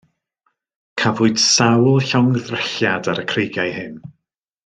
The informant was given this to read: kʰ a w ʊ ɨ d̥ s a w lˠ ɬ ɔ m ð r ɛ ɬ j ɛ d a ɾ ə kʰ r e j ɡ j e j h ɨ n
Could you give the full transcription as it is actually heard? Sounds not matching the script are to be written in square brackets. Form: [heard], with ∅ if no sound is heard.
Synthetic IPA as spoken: kʰ a [v] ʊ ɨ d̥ s a w lˠ ɬ ɔ [ŋ] ð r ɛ ɬ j [a] d a ɾ ə kʰ r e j ɡ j [a] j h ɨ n